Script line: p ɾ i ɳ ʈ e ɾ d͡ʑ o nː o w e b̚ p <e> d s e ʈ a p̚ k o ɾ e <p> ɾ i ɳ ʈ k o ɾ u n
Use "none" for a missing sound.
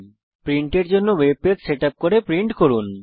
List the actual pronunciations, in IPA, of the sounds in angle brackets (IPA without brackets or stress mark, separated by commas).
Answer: e, p